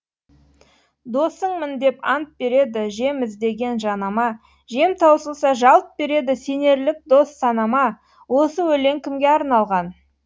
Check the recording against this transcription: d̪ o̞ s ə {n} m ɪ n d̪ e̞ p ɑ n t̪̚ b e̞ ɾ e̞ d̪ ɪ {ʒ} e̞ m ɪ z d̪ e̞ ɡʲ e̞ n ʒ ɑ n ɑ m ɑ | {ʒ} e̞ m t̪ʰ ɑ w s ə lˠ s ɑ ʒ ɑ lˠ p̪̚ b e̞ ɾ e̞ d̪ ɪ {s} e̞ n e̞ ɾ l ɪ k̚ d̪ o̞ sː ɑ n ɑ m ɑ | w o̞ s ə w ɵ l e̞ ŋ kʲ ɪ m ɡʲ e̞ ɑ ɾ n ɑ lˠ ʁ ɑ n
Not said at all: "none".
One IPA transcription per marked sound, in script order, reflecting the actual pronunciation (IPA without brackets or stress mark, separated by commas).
ɴ, ʒ, ʒ, s